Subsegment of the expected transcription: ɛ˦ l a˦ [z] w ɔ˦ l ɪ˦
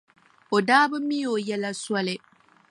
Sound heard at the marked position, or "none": s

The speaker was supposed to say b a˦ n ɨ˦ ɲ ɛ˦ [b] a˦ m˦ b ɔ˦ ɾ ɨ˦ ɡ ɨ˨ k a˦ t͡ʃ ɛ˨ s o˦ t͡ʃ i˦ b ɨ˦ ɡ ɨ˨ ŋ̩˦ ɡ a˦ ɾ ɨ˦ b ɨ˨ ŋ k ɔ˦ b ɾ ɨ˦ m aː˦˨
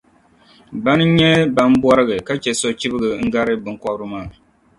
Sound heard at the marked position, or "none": b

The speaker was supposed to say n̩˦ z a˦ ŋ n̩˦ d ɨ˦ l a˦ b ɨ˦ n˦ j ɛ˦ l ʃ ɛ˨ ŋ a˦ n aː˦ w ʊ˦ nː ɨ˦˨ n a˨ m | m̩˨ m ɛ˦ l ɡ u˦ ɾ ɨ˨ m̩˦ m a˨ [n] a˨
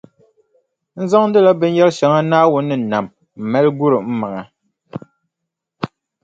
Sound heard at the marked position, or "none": ŋ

